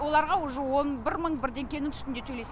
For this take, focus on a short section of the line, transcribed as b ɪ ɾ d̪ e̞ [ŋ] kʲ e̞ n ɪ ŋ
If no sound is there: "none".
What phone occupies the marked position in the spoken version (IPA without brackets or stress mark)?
ŋ